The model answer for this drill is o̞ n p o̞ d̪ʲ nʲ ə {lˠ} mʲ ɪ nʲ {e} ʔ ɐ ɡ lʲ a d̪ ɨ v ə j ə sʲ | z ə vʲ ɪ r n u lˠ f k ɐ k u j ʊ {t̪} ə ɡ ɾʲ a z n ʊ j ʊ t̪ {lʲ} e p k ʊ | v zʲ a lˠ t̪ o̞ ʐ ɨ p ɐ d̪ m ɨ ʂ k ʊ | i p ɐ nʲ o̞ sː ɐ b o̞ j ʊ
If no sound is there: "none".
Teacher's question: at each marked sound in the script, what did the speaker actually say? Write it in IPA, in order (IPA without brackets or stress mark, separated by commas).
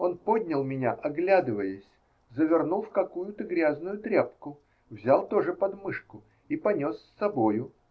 lˠ, a, t̪, ɾʲ